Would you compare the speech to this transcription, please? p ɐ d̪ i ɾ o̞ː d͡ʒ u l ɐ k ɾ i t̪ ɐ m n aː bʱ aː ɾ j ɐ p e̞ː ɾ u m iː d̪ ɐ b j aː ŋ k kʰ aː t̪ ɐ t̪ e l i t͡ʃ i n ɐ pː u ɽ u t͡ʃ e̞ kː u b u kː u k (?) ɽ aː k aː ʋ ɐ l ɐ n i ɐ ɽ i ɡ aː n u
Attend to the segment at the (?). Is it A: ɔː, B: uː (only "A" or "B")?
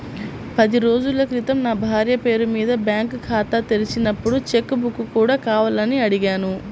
B